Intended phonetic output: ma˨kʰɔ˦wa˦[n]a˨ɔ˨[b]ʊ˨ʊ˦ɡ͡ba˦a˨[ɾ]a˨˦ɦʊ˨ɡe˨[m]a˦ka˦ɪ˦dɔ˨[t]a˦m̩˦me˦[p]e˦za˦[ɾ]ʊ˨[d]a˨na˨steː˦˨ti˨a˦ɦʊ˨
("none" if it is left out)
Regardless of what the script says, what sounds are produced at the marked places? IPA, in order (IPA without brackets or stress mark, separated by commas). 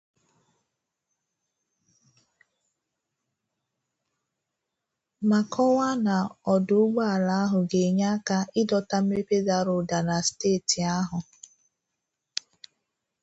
n, d, l, ɲ, t, p, ɾ, d